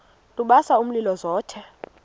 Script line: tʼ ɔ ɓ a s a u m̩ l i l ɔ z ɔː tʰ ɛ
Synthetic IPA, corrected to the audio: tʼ u ɓ a s a u m̩ l i l ɔ z ɔː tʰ ɛ